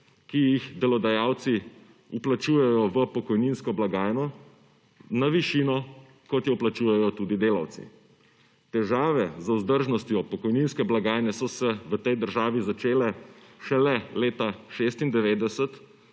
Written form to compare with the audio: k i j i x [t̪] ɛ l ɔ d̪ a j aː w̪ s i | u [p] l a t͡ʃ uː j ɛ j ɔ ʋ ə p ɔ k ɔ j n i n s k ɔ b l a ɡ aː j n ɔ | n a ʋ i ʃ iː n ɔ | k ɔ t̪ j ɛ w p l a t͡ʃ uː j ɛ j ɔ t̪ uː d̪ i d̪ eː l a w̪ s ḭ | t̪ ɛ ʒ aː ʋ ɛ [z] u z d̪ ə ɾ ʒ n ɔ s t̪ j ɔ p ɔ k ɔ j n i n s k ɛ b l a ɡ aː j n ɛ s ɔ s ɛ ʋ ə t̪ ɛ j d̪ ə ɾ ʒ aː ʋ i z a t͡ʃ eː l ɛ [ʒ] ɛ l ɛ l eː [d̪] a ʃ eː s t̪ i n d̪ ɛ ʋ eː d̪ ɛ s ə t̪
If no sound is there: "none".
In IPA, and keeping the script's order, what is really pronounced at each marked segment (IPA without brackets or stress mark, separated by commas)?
d̪, p, z, ʃ, t̪